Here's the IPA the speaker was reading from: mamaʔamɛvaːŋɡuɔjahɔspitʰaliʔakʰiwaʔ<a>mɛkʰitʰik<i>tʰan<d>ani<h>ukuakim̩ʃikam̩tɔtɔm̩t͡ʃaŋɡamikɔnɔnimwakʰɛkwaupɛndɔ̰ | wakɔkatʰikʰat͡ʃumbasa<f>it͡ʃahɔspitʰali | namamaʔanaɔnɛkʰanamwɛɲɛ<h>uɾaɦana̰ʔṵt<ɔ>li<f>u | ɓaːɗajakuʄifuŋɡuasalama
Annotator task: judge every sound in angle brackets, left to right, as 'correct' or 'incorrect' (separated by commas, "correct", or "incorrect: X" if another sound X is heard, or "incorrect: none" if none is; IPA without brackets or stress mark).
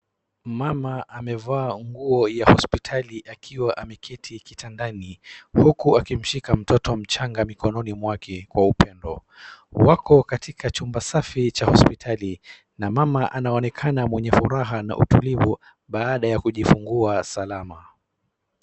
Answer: correct, correct, correct, correct, correct, incorrect: f, incorrect: u, incorrect: v